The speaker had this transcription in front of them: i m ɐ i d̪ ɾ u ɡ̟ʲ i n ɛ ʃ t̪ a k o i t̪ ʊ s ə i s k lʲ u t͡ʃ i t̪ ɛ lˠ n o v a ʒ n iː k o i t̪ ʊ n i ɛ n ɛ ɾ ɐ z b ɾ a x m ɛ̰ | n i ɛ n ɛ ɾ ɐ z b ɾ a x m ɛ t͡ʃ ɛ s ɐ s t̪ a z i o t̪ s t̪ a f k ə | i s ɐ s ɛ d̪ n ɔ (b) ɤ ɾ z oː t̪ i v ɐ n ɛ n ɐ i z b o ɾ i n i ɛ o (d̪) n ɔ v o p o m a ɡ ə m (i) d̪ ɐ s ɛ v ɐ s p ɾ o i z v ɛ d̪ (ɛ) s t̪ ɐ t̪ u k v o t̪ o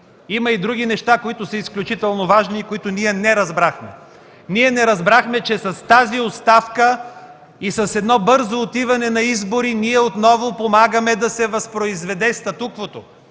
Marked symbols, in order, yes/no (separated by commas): yes, no, no, yes